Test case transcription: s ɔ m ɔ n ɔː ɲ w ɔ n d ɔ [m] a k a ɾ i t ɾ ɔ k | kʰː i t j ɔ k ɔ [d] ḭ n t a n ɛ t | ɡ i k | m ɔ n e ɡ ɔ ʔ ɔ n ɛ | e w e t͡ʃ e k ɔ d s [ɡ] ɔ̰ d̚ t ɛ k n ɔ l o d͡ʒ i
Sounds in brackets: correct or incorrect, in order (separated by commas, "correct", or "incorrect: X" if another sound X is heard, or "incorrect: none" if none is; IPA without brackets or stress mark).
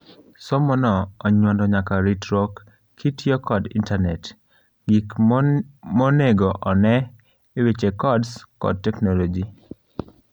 incorrect: ɲ, correct, incorrect: k